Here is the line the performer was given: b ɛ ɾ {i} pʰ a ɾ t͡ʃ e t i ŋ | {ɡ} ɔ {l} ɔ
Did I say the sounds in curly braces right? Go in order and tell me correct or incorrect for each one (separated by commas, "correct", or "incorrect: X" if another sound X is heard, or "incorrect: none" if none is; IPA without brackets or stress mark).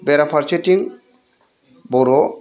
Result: incorrect: a, incorrect: b, incorrect: ɾ